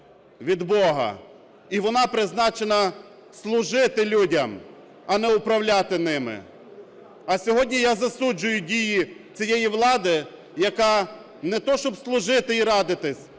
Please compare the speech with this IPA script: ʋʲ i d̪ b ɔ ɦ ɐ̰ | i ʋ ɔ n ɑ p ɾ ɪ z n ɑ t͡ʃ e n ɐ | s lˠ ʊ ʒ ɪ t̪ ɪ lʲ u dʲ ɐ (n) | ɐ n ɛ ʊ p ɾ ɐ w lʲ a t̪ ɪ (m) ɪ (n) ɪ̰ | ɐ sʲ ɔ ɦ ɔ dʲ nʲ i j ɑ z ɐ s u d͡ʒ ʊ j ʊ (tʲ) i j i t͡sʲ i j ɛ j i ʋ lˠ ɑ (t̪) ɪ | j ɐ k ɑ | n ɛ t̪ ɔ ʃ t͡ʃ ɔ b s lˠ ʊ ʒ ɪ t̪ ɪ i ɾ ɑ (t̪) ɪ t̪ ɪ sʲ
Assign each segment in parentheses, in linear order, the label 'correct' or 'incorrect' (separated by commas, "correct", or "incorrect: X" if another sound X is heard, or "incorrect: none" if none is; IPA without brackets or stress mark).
incorrect: m, incorrect: n, incorrect: m, incorrect: dʲ, incorrect: d̪, incorrect: d̪